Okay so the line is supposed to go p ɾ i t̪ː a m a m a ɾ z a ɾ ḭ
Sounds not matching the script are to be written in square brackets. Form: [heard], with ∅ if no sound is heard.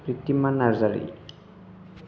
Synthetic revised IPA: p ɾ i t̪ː [i] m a [n] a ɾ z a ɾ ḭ

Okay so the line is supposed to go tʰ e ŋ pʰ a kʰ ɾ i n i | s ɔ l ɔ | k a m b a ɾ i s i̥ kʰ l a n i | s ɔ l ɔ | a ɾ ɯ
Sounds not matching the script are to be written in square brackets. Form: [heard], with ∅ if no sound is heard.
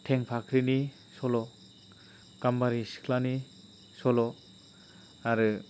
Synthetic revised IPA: tʰ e ŋ pʰ a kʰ ɾ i n i | s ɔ l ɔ | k a m b a ɾ i s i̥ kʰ l a n i | s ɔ l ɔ | a ɾ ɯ

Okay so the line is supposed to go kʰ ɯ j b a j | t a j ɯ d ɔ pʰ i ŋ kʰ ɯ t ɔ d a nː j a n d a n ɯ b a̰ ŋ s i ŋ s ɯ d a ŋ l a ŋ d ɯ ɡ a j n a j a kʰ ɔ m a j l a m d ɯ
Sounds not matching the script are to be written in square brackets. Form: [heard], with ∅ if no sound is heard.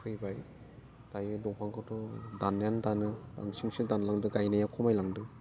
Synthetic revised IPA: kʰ ɯ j b a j | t a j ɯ d ɔ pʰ [a] ŋ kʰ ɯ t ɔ d a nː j a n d a n ɯ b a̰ ŋ s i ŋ s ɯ d a [n] l a ŋ d ɯ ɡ a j n a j a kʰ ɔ m a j l a [ŋ] d ɯ

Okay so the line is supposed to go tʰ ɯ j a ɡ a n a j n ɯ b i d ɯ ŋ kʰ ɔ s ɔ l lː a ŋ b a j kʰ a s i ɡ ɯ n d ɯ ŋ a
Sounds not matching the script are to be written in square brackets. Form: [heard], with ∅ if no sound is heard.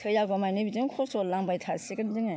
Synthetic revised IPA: tʰ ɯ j a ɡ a [m] a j n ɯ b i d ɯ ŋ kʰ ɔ s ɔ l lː a ŋ b a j [tʰ] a s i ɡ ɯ n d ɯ ŋ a

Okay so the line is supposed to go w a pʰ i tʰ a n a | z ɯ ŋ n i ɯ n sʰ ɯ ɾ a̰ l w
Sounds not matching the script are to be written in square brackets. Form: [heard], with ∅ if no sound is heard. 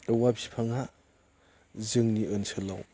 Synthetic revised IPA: w a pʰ i [pʰ] a [ŋ] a | z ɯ ŋ n i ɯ n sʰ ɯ [l] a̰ [∅] w

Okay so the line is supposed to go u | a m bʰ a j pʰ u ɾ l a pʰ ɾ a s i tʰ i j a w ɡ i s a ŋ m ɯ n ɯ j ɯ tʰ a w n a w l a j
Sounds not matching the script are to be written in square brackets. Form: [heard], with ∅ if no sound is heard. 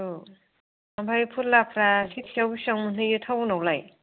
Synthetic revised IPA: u | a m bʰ a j pʰ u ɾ l a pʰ ɾ a s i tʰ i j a w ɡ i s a ŋ m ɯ n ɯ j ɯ tʰ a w n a w l a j

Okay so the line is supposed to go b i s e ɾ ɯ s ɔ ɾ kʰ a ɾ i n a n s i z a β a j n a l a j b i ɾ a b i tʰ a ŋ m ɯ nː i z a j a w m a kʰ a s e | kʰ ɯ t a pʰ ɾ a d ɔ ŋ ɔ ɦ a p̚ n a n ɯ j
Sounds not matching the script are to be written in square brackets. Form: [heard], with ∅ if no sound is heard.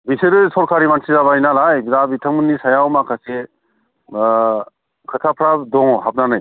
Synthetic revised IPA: b i s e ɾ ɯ s ɔ ɾ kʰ a ɾ i [m] a n s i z a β a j n a l a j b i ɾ a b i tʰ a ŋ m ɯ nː i [s] a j a w m a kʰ a s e | kʰ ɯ [tʰ] a pʰ ɾ a d ɔ ŋ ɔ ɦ a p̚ n a n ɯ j

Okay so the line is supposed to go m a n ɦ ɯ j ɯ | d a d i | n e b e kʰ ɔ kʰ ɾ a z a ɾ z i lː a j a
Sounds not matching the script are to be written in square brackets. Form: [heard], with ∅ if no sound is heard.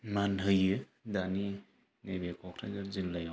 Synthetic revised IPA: m a n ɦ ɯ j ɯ | d a [n] i | n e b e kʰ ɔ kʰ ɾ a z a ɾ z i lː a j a

